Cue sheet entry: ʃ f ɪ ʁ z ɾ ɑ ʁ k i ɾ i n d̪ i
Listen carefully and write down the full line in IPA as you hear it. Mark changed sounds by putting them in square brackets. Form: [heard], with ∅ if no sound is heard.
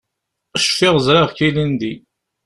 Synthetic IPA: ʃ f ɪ ʁ z ɾ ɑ ʁ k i [l] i n d̪ i